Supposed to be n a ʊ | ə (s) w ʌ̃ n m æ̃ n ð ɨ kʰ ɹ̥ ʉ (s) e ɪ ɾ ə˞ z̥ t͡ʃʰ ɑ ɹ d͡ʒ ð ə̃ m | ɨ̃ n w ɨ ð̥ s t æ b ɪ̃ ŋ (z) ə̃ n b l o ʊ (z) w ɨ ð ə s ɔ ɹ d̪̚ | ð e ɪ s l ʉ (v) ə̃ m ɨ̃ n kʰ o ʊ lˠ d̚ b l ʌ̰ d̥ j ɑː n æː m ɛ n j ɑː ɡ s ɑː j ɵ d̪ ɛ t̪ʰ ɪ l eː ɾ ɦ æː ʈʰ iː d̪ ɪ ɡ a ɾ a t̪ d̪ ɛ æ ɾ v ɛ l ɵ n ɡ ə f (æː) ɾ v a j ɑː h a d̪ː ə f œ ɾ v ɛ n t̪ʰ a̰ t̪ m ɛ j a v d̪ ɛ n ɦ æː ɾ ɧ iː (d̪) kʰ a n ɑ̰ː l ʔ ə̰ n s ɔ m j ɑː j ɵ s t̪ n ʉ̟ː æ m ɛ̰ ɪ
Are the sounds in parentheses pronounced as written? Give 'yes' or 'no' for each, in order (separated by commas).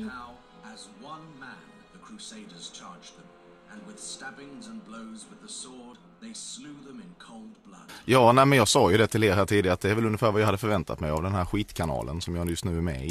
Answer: no, yes, yes, yes, no, yes, no